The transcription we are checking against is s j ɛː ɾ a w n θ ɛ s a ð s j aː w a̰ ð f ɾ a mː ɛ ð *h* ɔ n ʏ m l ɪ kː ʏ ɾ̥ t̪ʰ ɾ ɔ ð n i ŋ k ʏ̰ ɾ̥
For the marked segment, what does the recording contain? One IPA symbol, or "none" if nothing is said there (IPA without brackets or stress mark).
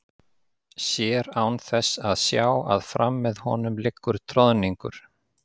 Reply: h